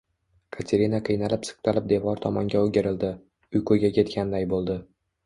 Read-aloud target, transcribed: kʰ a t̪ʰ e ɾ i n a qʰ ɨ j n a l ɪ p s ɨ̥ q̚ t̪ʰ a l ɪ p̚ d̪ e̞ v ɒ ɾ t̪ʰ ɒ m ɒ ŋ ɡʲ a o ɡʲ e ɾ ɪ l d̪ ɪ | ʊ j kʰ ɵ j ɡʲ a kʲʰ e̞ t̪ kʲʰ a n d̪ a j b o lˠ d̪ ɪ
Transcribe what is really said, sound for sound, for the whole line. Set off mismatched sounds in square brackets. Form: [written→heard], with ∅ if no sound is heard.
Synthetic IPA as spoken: kʰ a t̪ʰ e ɾ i n a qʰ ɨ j n a l ɪ p s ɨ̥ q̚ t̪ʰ a l ɪ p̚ d̪ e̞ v ɒ ɾ t̪ʰ ɒ m ɒ ŋ ɡʲ a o ɡʲ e ɾ ɪ l d̪ ɪ | ʊ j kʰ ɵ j ɡʲ a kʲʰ e̞ t̪ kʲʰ a n d̪ a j b o lˠ d̪ ɪ